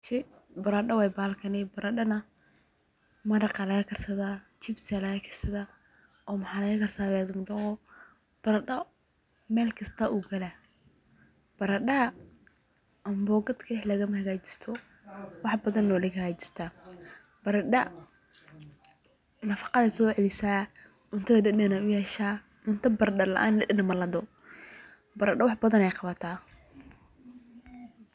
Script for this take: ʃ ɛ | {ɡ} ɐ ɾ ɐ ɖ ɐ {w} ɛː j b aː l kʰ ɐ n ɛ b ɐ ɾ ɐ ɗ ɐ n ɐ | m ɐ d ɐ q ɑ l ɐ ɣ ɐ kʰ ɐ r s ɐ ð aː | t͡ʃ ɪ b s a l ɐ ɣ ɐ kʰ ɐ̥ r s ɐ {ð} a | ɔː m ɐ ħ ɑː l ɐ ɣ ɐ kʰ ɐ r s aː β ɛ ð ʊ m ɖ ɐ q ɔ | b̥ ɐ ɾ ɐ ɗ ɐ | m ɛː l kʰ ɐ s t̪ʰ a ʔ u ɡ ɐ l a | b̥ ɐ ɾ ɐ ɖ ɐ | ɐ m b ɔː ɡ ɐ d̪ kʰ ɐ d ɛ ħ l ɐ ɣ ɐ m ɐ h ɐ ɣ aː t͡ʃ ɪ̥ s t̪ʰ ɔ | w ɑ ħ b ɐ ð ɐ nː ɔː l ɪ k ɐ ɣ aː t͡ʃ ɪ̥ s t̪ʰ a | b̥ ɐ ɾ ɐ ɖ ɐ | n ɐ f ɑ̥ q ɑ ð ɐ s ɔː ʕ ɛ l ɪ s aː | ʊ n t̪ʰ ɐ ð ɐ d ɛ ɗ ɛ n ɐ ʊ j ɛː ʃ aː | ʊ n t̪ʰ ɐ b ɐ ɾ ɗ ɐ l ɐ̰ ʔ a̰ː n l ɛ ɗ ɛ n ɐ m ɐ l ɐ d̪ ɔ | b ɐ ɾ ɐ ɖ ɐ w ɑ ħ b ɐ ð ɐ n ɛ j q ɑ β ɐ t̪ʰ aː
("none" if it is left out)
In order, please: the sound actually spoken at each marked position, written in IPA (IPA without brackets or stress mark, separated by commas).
b, w, ð